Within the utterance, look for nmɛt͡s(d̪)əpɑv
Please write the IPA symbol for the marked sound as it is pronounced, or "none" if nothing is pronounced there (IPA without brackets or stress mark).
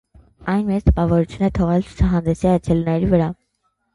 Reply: t̪